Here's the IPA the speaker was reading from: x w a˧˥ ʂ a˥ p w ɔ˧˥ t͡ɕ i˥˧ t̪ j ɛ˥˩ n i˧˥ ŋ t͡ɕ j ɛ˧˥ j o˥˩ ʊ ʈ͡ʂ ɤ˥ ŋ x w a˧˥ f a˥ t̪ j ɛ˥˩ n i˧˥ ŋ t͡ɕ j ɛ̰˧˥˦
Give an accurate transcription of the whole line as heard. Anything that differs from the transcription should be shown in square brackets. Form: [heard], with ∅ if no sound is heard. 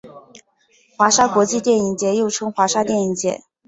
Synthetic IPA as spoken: x w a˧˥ ʂ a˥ [k] w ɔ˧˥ t͡ɕ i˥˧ t̪ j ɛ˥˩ n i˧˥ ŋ t͡ɕ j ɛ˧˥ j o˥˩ ʊ [ʈ͡ʂʰ] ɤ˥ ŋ x w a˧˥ [ʂ] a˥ t̪ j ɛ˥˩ n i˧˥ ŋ t͡ɕ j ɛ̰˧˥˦